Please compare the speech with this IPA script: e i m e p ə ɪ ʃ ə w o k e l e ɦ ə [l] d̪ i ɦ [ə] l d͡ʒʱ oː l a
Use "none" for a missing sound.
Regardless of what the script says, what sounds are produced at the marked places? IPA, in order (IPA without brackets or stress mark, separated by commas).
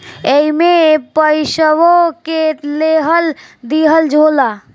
l, ə